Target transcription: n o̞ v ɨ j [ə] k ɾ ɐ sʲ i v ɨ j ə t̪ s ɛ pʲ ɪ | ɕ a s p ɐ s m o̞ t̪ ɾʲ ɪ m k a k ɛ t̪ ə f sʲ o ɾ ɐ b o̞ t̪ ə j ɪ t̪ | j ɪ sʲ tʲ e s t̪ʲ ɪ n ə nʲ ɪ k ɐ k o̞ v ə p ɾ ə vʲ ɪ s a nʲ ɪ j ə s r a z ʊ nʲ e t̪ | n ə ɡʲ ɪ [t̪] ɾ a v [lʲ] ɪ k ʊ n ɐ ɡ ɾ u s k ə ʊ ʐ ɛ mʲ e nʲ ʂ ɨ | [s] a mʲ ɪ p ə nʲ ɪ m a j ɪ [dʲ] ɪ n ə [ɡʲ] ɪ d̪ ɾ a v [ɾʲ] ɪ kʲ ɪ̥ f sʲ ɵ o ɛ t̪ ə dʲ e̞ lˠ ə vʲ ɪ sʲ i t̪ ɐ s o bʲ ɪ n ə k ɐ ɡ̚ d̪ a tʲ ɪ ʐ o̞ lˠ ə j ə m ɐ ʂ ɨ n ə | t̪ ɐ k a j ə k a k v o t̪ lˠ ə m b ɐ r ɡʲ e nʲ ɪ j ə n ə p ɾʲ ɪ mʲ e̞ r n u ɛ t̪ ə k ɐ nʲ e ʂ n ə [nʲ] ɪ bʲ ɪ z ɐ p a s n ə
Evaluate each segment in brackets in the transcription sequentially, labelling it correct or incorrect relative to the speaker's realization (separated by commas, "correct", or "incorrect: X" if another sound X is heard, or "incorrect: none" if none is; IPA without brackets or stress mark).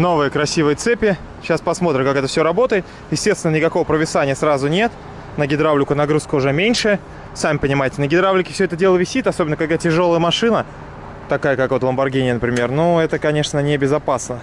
correct, incorrect: d̪, correct, correct, incorrect: tʲ, correct, incorrect: lʲ, correct